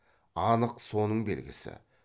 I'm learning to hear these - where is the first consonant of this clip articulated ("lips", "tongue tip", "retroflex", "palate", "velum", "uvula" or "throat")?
tongue tip